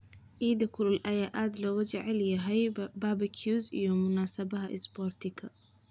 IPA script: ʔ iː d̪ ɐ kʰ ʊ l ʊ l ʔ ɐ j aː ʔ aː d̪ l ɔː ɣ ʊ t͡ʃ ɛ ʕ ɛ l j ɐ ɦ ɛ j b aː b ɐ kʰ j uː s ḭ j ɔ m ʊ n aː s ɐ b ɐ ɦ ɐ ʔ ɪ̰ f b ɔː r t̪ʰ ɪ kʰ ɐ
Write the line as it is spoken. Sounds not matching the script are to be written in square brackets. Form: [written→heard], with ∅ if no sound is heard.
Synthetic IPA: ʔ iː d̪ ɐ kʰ ʊ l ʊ l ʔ ɐ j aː ʔ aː d̪ l ɔː ɣ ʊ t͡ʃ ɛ ʕ ɛ l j ɐ ɦ ɛ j b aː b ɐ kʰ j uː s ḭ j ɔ m ʊ n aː s ɐ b ɐ ɦ ɐ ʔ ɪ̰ [f→s] b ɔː r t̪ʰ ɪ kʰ ɐ